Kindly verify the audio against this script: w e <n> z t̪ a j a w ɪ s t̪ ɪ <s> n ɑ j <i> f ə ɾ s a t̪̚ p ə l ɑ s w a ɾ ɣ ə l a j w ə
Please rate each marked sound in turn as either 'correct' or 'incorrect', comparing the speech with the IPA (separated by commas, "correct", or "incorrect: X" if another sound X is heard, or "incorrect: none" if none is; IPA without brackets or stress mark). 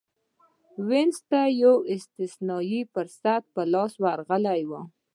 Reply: correct, correct, correct